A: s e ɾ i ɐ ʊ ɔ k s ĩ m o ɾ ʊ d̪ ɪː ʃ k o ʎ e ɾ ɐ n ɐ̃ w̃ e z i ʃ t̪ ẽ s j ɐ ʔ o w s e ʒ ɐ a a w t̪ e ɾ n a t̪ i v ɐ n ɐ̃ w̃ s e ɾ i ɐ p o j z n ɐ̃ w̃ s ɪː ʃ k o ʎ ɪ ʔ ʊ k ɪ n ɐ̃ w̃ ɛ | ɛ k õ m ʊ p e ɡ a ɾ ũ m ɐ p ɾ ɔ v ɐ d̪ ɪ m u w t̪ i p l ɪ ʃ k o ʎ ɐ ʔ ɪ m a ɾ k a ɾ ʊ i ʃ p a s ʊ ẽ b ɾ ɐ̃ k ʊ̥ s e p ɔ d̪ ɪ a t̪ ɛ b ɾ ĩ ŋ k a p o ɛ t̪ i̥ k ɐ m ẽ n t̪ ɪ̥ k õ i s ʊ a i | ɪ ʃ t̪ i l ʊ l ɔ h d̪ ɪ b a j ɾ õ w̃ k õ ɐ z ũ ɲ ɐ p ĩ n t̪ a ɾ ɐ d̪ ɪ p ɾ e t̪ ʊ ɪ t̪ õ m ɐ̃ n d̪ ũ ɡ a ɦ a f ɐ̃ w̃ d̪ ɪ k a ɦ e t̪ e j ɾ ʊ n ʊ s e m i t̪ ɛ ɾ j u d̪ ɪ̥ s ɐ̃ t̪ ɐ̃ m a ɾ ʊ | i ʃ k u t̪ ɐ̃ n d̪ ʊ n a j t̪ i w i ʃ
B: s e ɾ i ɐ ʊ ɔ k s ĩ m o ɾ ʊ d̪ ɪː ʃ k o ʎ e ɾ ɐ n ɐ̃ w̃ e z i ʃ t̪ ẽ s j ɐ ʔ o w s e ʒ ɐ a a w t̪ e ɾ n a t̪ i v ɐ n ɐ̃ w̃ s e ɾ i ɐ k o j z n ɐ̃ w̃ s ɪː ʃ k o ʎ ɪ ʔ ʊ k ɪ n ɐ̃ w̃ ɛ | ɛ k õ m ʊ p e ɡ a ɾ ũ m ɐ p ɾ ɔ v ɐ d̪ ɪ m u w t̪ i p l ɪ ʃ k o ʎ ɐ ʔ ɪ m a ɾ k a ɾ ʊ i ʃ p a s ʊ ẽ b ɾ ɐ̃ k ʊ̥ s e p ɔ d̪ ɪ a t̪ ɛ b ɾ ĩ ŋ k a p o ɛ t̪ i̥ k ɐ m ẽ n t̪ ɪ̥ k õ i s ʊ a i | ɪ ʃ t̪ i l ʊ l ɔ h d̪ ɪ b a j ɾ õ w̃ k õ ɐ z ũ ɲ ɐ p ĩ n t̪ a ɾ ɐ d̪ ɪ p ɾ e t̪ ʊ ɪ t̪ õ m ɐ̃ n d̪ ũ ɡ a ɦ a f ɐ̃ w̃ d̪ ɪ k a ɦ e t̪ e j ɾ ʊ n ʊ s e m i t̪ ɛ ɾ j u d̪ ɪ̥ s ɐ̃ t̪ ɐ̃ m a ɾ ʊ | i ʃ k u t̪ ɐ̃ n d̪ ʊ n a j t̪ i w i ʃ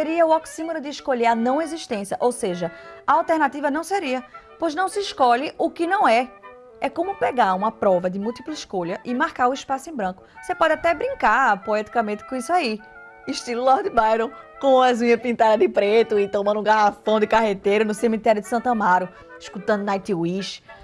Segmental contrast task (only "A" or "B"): A